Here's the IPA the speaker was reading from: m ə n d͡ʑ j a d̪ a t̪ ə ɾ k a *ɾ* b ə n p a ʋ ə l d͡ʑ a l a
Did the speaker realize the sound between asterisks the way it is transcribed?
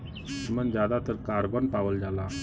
yes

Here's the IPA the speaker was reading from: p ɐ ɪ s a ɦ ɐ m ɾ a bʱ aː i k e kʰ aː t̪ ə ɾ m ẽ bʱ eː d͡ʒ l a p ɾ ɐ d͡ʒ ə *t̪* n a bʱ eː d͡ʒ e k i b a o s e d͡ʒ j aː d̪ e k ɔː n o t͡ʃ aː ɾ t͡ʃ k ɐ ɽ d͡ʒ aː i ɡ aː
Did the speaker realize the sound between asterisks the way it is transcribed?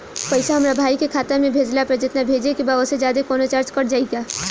yes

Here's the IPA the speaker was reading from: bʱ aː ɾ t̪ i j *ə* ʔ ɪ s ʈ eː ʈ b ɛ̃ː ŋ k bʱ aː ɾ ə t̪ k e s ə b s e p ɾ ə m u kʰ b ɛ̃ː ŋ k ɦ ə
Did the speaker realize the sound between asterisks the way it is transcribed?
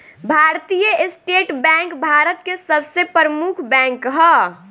yes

